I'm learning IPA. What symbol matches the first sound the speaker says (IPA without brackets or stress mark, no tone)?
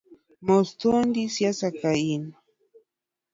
m